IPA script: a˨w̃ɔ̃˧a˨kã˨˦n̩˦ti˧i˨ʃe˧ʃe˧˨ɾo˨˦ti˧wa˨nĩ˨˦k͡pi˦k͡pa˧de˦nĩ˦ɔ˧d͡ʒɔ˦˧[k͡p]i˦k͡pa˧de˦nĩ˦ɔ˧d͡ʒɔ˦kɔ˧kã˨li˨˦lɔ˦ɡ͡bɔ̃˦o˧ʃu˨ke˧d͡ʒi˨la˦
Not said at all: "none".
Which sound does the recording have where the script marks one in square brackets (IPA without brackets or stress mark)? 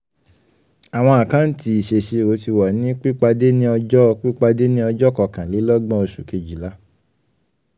k͡p